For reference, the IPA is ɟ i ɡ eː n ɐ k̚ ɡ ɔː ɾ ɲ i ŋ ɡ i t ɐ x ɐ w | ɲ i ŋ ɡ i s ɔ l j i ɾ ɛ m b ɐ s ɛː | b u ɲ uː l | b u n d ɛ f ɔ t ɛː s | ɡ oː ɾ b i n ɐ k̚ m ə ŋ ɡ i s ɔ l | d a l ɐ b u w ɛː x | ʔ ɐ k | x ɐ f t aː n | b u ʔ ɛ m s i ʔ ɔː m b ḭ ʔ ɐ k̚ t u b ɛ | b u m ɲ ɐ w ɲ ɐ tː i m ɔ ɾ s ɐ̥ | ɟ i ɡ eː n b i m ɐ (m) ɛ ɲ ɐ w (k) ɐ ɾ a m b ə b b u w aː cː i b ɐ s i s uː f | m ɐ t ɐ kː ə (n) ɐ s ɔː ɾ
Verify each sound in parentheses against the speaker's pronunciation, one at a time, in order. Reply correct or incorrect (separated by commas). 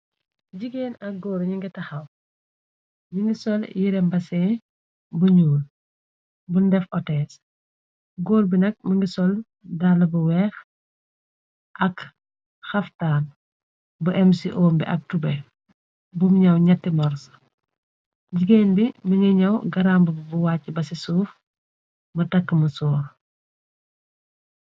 incorrect, incorrect, incorrect